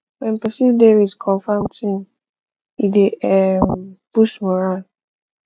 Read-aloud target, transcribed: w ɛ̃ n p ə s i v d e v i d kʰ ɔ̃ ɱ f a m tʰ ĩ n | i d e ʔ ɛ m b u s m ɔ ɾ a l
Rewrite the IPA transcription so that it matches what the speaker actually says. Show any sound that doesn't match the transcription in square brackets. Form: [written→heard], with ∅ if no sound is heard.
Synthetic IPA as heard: w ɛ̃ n p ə s i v d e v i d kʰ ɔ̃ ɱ f a m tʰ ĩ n | i d e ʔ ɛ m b u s m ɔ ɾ a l